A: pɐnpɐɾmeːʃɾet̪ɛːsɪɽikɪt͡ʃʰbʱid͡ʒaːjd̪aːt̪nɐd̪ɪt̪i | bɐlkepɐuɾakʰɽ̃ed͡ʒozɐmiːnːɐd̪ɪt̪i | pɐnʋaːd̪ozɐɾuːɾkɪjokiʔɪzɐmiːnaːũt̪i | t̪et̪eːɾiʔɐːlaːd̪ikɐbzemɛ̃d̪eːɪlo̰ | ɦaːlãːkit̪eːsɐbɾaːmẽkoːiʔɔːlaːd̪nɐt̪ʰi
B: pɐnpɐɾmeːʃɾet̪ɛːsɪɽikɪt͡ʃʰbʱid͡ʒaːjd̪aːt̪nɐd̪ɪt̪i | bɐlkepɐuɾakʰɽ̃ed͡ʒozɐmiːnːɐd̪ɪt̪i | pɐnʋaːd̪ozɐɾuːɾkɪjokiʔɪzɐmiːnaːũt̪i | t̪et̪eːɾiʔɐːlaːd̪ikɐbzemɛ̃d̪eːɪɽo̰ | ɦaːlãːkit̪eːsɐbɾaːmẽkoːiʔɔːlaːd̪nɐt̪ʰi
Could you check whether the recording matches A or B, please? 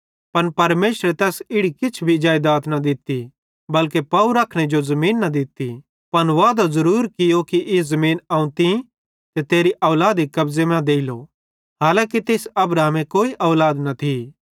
A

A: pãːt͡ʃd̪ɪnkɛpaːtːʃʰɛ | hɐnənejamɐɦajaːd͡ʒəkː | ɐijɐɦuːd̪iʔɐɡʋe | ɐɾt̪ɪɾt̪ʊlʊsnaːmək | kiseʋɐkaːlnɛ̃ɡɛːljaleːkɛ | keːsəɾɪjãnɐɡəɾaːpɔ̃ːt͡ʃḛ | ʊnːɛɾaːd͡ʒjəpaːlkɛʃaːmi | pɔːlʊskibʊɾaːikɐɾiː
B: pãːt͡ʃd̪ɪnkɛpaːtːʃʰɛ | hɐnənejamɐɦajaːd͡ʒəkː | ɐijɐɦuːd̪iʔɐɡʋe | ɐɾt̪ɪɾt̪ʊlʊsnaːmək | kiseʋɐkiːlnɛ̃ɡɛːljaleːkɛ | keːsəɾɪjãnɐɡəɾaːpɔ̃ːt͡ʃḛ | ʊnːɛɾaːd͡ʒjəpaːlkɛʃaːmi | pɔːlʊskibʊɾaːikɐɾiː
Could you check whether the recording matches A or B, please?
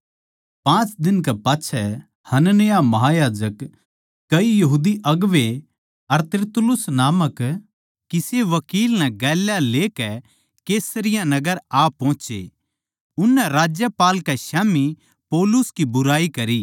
B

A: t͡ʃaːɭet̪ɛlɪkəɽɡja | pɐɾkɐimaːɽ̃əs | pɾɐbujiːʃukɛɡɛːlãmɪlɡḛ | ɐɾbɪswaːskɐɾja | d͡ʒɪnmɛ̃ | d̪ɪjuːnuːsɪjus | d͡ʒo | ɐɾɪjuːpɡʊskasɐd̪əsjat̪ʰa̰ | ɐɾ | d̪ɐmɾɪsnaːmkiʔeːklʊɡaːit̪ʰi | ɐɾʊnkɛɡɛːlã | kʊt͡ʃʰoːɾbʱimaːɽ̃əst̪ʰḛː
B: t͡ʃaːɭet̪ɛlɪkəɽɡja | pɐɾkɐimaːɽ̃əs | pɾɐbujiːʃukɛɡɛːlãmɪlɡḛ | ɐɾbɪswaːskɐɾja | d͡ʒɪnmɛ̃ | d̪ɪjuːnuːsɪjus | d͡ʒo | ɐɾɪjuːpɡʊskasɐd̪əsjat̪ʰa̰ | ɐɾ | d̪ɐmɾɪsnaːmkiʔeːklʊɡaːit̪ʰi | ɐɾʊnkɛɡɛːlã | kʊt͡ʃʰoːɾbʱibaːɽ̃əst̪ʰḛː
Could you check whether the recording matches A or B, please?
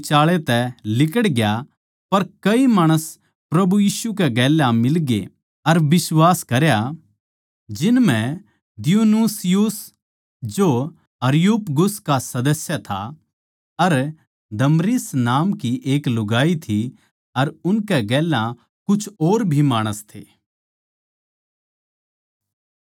A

